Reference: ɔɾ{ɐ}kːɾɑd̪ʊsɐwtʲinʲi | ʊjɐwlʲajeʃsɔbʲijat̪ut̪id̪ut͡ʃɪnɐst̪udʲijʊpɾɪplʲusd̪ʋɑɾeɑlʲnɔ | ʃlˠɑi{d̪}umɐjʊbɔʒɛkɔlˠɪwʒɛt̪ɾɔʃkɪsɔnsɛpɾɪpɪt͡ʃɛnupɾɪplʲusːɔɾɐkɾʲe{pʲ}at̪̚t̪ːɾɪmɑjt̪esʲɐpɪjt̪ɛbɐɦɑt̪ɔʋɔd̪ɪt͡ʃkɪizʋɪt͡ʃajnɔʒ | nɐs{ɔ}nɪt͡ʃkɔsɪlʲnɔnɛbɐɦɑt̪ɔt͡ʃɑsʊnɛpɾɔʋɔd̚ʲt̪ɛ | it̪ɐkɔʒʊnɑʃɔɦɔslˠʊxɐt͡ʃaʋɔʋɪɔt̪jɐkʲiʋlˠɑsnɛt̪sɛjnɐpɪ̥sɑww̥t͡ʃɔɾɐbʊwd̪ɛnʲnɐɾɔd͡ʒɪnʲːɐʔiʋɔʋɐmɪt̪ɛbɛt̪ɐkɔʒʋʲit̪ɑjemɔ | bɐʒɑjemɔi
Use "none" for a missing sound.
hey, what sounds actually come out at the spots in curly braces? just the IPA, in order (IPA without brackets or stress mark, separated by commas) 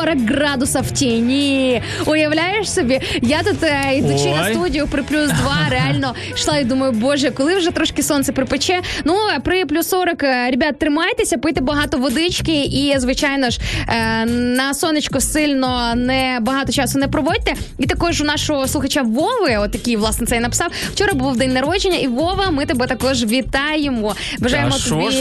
ɐ, d̪, bʲ, ɔ